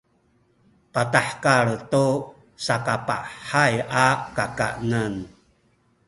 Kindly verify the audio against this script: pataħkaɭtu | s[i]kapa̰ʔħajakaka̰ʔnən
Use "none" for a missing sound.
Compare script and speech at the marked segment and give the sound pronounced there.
a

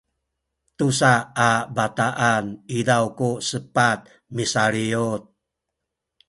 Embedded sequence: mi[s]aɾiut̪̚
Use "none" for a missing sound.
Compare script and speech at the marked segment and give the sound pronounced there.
s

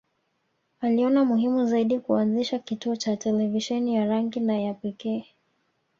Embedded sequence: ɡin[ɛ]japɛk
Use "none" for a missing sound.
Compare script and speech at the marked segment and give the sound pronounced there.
a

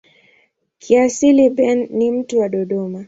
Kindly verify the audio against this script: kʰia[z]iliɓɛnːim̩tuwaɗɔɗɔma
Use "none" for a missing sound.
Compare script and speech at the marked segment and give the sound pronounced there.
s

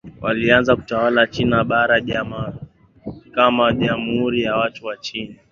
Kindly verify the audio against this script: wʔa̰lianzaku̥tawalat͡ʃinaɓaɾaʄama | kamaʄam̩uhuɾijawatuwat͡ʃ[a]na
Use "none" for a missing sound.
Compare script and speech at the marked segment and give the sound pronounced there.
i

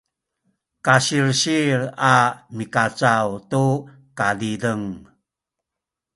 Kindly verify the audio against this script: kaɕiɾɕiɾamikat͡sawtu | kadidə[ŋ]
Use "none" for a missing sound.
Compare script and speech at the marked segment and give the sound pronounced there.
ŋ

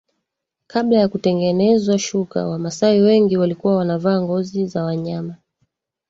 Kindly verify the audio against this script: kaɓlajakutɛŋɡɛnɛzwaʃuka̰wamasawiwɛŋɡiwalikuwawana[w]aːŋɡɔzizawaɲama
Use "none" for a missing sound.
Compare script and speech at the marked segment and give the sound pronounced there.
v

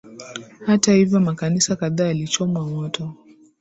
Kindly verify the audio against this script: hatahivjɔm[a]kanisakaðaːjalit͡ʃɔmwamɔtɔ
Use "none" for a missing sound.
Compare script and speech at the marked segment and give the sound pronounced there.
a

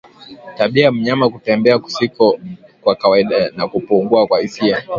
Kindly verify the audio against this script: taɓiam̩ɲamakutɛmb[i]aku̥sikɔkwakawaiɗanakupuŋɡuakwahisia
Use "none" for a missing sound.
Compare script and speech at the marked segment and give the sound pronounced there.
ɛ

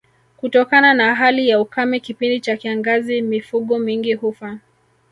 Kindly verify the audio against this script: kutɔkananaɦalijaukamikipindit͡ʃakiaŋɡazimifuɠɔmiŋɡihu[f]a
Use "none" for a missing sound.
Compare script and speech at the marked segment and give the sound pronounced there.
f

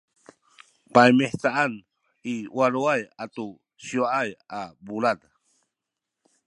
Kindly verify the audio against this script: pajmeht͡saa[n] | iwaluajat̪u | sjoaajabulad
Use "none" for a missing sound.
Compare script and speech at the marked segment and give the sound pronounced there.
n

